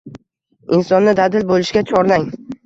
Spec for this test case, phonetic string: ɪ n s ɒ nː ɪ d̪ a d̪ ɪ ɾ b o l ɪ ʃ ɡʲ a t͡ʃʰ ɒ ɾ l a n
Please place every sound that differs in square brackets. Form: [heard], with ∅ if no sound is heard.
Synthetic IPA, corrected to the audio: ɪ n s ɒ nː ɪ d̪ a d̪ ɪ [l] b o l ɪ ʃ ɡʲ a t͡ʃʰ ɒ ɾ l a [ŋ]